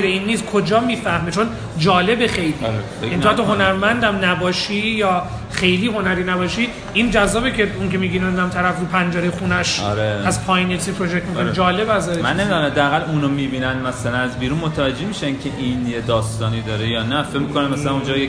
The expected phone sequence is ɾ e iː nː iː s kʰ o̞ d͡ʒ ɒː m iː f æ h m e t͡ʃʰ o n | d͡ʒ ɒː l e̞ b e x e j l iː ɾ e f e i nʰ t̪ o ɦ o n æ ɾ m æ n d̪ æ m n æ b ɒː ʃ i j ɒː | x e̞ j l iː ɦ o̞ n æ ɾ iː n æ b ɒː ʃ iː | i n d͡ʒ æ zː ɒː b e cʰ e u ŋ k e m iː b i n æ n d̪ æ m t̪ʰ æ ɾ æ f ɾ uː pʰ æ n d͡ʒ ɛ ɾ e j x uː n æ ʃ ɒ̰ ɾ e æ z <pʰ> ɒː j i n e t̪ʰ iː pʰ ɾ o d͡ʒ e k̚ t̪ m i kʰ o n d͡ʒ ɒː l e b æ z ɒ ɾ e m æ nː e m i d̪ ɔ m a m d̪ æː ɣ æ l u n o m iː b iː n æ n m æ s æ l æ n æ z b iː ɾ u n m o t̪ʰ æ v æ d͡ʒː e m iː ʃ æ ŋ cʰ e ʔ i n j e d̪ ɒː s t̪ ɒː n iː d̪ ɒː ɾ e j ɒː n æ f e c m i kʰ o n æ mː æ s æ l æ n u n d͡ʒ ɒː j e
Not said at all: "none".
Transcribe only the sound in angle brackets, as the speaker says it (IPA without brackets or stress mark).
pʰ